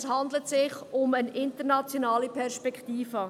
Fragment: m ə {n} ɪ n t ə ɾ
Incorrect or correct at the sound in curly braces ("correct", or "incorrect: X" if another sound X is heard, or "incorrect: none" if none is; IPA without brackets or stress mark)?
correct